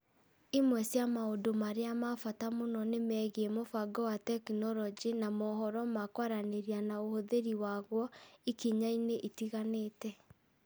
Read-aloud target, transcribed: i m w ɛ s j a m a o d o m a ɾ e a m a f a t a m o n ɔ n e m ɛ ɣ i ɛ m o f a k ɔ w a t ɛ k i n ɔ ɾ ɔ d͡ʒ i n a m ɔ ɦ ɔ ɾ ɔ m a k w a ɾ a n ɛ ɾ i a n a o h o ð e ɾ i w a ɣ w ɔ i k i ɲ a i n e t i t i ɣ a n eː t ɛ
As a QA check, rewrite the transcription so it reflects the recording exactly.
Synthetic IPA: i m w ɛ s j a m a o d o m a ɾ e a m a f a t a m o n ɔ n e m ɛ ɣ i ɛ m o f a ɡ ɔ w a t ɛ k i n ɔ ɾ ɔ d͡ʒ i n a m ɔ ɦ ɔ ɾ ɔ m a k w a ɾ a n e ɾ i a n a o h o ð e ɾ i w a ɣ w ɔ i k i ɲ a i n e ʔ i t i ɣ a n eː t ɛ